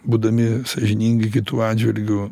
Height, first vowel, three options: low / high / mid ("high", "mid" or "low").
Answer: high